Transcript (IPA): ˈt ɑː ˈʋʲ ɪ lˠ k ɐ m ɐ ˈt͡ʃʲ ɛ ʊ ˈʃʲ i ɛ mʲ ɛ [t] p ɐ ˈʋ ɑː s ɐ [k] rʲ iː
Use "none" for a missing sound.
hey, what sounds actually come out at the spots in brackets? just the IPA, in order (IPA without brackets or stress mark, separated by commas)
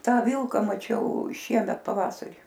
t, none